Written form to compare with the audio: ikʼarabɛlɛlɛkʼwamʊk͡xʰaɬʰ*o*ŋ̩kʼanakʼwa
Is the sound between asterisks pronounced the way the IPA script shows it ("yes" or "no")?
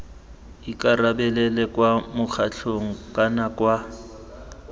yes